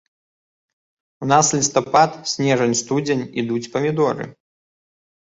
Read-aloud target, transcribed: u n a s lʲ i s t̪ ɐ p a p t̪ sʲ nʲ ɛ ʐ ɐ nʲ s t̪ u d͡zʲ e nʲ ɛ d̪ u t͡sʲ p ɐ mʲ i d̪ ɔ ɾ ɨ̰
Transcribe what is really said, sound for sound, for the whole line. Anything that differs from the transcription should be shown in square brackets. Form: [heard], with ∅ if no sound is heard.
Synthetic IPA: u n a s lʲ i s t̪ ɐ p a [∅] t̪ sʲ nʲ ɛ ʐ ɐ nʲ s t̪ u d͡zʲ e nʲ [i] d̪ u t͡sʲ p ɐ mʲ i d̪ ɔ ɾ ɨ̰